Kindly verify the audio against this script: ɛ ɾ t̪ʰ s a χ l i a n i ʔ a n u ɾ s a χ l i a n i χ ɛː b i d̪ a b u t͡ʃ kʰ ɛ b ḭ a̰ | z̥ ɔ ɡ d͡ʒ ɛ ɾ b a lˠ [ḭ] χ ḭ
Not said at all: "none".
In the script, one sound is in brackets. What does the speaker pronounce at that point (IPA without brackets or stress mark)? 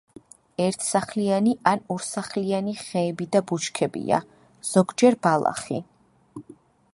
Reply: a̰